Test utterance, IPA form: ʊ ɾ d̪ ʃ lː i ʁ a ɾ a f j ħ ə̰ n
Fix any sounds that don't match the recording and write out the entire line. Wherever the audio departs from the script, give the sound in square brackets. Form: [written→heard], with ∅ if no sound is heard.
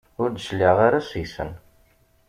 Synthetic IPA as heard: ʊ ɾ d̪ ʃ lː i ʁ a ɾ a [f→s] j [ħ→s] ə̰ n